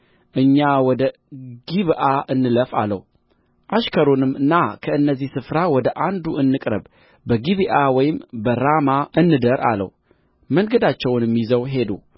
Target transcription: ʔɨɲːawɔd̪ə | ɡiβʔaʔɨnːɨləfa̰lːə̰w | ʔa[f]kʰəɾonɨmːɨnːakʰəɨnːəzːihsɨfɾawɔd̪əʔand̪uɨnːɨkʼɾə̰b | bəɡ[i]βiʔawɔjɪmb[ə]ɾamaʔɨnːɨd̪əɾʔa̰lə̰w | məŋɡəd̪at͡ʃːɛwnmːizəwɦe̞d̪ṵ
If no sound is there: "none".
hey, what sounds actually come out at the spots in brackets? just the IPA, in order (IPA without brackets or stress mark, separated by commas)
ʃ, i, ə